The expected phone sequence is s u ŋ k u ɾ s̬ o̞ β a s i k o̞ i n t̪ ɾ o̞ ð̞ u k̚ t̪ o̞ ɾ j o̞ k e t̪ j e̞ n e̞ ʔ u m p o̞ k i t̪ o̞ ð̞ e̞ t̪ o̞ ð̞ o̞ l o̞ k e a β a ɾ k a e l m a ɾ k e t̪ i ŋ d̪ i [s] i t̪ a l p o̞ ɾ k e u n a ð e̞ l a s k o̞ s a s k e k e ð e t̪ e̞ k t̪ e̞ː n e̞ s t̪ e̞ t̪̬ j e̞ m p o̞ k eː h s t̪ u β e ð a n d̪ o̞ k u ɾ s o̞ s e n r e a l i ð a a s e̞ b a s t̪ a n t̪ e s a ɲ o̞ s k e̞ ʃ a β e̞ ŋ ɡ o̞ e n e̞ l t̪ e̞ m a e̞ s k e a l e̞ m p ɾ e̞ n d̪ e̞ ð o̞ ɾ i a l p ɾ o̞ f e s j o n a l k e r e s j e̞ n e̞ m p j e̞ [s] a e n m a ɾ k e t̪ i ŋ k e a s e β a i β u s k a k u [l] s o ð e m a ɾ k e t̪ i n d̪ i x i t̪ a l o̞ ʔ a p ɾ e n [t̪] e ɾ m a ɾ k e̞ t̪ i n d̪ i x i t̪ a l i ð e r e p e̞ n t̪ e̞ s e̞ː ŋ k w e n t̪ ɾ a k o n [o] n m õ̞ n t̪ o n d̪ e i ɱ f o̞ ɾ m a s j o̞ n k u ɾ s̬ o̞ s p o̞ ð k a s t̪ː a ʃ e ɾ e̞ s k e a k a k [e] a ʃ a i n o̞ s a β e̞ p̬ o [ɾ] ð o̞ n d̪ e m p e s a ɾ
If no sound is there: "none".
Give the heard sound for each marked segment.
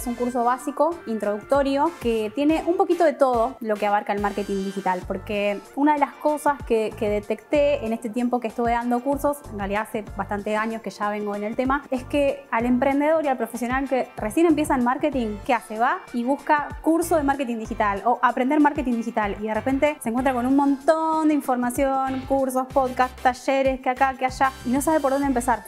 x, s, ɾ, d̪, u, e, ɾ

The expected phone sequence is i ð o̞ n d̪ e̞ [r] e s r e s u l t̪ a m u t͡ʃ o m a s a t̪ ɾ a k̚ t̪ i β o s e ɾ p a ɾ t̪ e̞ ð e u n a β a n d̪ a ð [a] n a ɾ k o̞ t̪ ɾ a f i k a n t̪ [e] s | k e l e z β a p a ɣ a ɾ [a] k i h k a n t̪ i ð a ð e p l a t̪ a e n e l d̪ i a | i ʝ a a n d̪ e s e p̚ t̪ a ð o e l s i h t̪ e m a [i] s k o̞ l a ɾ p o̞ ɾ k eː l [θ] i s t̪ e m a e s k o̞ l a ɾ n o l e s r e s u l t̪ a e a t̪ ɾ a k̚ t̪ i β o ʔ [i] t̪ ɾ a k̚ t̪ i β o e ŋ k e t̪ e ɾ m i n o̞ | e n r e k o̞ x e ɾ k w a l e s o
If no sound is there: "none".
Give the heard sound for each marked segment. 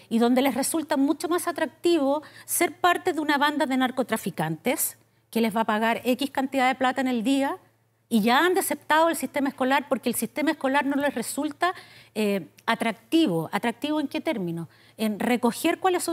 l, e, e, e, e, s, a

